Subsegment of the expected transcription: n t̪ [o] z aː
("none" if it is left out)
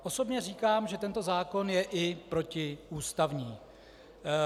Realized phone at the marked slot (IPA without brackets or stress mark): o